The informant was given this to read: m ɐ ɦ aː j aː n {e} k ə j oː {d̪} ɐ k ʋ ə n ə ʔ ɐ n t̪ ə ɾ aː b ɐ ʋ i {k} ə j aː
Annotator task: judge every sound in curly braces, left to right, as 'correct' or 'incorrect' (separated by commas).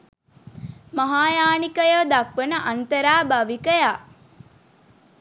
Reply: incorrect, correct, correct